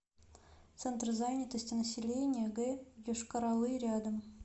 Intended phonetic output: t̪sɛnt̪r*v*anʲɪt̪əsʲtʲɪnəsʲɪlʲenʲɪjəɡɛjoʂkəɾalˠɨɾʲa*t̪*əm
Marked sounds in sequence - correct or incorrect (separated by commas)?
incorrect, incorrect